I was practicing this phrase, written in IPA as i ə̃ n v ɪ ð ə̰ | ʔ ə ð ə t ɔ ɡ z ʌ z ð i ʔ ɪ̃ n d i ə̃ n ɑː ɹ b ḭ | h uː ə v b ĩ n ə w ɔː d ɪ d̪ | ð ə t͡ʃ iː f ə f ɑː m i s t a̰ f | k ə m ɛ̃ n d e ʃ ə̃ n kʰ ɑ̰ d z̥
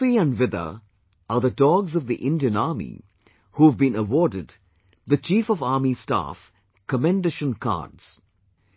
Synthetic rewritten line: i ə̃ n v ɪ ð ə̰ | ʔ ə ð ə d ɔ ɡ z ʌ v ð i ʔ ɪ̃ n d i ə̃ n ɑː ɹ m ḭ | h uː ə v b ĩ n ə w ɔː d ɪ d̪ | ð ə t͡ʃ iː f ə v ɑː m i s t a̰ f | k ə m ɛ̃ n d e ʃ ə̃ n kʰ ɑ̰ d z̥